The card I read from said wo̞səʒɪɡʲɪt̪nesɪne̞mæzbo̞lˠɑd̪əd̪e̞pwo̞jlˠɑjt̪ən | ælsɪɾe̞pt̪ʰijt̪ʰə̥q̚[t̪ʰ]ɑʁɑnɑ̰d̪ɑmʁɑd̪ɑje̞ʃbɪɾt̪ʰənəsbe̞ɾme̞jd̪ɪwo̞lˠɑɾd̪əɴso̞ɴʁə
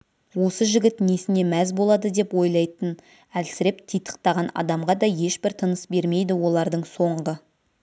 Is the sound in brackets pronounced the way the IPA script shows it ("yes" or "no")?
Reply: no